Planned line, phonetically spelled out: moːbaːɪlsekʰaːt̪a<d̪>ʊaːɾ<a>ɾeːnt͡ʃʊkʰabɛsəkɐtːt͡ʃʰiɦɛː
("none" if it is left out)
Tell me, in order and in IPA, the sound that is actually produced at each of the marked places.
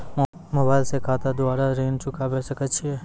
d̪, a

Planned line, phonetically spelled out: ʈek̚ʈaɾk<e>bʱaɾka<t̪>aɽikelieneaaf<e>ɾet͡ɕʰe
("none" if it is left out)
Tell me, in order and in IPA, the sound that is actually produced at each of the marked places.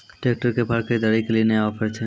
e, d̪, e

